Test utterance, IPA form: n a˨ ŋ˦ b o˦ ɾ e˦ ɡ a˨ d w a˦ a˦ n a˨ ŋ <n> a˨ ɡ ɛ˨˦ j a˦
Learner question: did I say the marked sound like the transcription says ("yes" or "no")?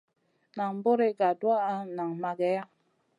no